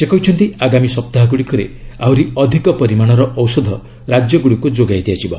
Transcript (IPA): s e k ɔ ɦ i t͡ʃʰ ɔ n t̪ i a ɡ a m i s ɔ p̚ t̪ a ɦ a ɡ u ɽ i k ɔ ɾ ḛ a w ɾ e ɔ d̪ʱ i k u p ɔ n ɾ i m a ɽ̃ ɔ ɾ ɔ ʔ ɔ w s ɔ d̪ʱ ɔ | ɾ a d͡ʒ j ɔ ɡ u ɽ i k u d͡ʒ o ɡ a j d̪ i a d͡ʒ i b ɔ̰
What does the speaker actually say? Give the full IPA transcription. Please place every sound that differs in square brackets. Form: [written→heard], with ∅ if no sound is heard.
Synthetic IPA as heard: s e k ɔ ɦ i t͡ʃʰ ɔ n t̪ i a ɡ a m i s ɔ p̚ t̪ a ɦ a ɡ u ɽ i k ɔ ɾ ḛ a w ɾ [e→i] ɔ d̪ʱ i k [u→ɔ] p ɔ [n→∅] ɾ i m a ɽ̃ ɔ ɾ ɔ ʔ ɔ w s ɔ d̪ʱ ɔ | ɾ a d͡ʒ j ɔ ɡ u ɽ i k u d͡ʒ o ɡ a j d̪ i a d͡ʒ i b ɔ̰